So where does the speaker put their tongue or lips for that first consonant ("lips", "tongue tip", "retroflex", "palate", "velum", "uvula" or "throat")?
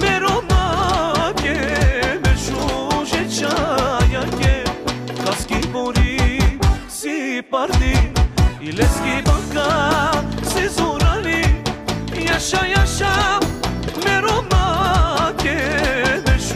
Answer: lips